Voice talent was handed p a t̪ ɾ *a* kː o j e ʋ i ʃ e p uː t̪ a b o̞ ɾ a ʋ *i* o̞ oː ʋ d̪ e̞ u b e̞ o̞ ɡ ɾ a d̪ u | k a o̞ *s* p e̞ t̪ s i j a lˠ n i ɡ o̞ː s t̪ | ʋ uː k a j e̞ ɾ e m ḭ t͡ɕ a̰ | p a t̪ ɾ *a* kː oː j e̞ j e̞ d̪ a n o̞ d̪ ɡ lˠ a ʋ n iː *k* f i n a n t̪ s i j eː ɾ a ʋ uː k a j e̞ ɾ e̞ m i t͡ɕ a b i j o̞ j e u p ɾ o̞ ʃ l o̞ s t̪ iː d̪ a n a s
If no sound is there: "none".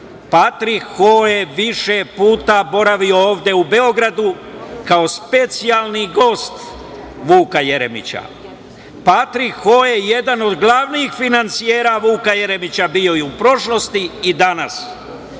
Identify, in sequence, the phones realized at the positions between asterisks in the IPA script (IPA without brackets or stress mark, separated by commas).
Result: i, i, s, i, x